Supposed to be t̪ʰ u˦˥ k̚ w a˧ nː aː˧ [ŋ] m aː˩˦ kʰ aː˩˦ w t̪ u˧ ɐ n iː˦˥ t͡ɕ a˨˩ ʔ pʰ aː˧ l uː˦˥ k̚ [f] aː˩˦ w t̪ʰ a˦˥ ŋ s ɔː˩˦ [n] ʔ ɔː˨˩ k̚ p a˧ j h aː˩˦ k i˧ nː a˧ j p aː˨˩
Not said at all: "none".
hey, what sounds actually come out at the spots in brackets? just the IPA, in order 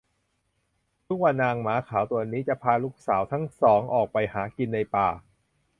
ŋ, s, ŋ

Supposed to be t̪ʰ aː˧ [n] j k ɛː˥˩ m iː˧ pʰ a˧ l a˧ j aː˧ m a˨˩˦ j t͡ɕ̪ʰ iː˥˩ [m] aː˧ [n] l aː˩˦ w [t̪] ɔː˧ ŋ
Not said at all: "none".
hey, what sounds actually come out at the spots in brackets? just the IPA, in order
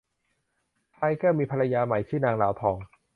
none, n, ŋ, t̪ʰ

